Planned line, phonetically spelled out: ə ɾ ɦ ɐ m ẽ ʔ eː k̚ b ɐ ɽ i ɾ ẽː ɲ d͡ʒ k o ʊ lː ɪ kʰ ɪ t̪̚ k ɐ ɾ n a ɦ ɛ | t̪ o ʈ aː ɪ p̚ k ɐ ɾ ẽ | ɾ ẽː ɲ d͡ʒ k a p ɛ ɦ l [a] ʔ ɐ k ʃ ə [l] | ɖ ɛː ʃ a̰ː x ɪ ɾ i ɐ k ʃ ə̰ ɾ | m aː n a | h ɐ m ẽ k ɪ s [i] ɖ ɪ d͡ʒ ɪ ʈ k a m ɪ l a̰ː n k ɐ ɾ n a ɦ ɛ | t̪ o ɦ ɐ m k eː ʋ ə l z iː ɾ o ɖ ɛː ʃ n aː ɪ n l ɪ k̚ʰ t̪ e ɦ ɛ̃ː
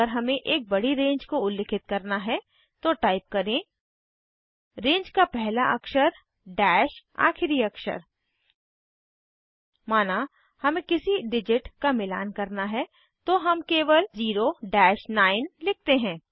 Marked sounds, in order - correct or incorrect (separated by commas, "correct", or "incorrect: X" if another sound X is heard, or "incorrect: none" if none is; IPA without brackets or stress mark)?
correct, incorrect: ɾ, correct